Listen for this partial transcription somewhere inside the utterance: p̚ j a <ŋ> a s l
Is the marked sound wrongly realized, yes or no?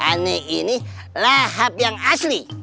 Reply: no